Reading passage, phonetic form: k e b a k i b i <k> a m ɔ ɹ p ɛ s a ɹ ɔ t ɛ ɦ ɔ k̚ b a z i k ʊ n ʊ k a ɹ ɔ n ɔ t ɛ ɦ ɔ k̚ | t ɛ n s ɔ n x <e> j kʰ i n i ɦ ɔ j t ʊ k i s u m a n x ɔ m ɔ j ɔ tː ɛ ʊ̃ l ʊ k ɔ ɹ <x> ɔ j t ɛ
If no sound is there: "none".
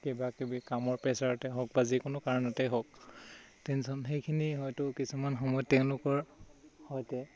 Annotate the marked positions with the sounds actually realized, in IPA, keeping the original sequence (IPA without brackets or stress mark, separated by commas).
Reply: k, e, h